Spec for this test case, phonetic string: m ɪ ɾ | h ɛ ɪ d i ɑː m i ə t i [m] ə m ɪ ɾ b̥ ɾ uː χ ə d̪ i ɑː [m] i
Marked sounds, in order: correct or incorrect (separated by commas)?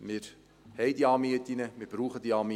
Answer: incorrect, correct